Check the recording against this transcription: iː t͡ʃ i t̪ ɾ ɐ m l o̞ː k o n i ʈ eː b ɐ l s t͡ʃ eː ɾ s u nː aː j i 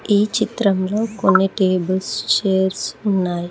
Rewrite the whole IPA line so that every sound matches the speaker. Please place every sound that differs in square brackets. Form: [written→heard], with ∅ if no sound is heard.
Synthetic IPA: iː t͡ʃ i t̪ ɾ ɐ m l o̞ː k o [n→nː] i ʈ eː b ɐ l s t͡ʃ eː ɾ s u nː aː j i